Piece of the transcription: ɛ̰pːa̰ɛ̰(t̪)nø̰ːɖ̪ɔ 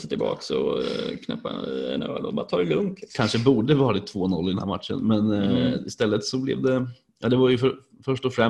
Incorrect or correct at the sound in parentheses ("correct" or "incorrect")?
incorrect